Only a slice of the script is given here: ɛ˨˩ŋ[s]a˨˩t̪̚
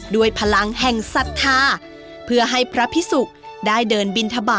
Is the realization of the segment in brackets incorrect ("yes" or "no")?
no